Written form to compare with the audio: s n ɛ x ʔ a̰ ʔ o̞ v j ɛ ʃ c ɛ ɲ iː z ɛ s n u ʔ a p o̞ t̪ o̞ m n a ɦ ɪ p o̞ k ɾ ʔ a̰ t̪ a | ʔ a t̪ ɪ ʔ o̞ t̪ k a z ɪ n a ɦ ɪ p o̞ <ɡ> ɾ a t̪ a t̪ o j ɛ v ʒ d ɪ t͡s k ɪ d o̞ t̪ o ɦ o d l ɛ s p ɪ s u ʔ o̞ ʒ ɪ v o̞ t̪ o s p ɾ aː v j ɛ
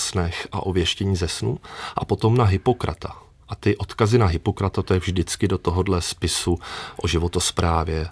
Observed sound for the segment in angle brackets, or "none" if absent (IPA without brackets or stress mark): k